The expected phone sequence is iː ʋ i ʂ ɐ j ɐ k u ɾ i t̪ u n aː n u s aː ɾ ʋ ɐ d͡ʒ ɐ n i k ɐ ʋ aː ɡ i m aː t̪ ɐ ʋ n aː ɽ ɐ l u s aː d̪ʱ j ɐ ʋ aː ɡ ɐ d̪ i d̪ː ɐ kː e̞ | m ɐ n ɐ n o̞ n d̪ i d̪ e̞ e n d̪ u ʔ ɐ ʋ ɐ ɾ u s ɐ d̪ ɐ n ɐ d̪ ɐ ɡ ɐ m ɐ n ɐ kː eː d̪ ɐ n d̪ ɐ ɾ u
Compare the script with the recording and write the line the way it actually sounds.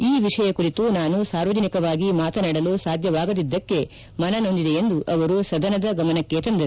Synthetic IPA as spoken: iː ʋ i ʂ ɐ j ɐ k u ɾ i t̪ u n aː n u s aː ɾ ʋ ɐ d͡ʒ ɐ n i k ɐ ʋ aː ɡ i m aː t̪ ɐ n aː ɽ ɐ l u s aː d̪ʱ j ɐ ʋ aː ɡ ɐ d̪ i d̪ː ɐ kː e̞ | m ɐ n ɐ n o̞ n d̪ i d̪ e̞ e n d̪ u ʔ ɐ ʋ ɐ ɾ u s ɐ d̪ ɐ n ɐ d̪ ɐ ɡ ɐ m ɐ n ɐ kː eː t̪ ɐ n d̪ ɐ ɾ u